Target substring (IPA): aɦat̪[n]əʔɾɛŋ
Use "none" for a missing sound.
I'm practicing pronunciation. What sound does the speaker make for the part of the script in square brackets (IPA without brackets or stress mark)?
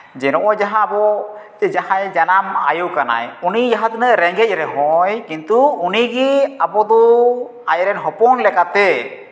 n